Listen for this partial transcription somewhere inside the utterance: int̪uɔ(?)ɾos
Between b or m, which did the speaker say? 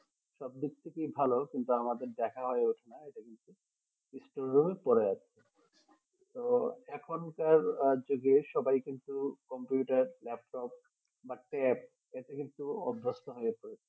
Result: b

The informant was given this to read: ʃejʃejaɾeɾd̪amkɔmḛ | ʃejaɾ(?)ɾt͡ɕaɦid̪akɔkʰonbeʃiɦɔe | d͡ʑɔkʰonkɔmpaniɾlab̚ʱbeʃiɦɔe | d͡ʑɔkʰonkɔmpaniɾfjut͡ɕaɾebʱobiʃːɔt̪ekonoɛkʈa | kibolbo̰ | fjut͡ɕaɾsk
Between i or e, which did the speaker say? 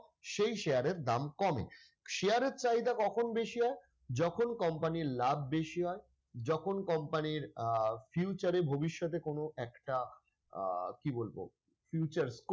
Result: e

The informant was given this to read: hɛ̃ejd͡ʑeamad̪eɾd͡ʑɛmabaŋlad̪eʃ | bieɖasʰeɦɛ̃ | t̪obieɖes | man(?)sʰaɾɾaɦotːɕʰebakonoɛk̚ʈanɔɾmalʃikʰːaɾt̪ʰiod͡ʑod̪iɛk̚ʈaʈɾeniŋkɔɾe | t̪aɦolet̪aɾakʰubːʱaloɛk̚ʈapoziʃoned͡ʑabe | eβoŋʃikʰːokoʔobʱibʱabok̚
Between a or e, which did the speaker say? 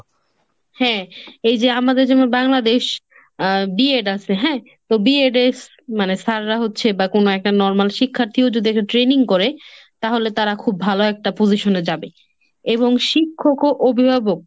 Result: e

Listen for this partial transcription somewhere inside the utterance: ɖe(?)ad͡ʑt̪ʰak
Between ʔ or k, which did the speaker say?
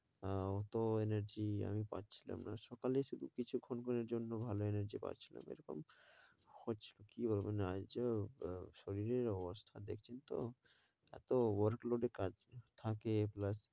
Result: k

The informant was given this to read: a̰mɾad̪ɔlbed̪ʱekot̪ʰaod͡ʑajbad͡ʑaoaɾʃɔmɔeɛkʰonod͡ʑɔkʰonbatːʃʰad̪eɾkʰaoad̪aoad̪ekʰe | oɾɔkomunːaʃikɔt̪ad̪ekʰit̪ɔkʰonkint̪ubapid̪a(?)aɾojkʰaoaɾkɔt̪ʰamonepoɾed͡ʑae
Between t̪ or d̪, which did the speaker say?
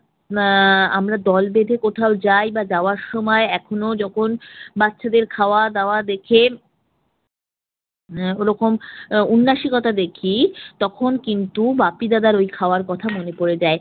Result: d̪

